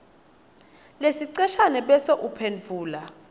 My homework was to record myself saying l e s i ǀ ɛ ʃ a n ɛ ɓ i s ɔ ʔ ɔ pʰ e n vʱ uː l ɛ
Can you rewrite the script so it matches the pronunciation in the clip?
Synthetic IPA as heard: l e s i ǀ ɛ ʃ a n ɛ ɓ ɛ s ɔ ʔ u pʰ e n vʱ uː l a